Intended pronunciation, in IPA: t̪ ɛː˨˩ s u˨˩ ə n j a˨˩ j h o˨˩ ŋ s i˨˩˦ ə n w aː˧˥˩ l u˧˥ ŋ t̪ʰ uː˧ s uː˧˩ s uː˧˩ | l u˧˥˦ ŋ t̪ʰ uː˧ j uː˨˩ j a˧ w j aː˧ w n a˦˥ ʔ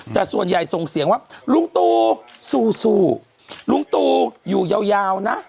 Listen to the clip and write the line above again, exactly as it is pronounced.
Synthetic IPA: t̪ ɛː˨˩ s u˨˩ ə n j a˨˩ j s o˨˩ ŋ s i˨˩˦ ə ŋ w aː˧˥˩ l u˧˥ ŋ t̪ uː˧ s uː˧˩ s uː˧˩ | l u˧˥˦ ŋ t̪ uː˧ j uː˨˩ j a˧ w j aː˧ w n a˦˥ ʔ